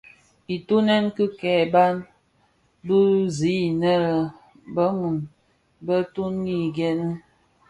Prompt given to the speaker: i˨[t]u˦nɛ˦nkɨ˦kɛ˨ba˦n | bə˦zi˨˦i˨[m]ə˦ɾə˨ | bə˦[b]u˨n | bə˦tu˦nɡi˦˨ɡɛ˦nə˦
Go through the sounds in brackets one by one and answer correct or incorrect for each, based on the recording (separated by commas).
correct, incorrect, incorrect